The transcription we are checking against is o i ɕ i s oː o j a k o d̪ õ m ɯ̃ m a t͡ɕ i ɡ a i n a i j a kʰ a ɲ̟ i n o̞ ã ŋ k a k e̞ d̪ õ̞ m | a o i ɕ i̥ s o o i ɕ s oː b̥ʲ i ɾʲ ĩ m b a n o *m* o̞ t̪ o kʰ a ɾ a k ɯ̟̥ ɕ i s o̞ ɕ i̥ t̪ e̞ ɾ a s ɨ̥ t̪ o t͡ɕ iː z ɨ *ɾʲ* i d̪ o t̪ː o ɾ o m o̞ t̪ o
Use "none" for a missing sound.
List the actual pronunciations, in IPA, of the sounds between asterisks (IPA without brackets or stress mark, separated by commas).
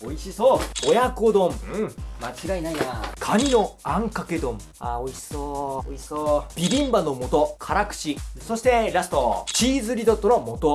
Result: m, ɾʲ